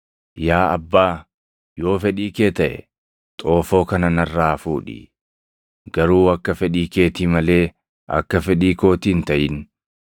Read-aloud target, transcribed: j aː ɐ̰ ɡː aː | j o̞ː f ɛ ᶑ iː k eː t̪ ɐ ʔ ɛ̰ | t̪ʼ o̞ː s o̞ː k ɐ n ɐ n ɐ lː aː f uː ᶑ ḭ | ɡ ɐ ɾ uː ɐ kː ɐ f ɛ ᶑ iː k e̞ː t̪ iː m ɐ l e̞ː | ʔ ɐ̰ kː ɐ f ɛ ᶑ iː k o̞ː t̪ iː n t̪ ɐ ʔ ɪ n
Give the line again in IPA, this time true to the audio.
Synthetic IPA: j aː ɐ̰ bː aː | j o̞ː f ɛ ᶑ iː k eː t̪ ɐ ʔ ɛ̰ | t̪ʼ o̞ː f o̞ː k ɐ n ɐ n ɐ rː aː f uː ᶑ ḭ | ɡ ɐ ɾ uː ɐ kː ɐ f ɛ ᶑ iː k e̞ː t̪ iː m ɐ l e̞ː | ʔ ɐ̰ kː ɐ f ɛ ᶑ iː k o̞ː t̪ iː n t̪ ɐ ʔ ɪ n